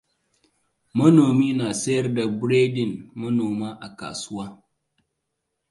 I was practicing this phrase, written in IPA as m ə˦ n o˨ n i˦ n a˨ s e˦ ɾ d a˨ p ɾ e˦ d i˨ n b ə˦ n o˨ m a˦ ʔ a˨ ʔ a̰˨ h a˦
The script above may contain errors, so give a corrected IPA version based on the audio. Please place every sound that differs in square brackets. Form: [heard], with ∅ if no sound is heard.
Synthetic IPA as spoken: m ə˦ n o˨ [m] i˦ n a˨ s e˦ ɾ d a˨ [b] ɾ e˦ d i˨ n [m] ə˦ n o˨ m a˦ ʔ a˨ [k] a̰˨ [s] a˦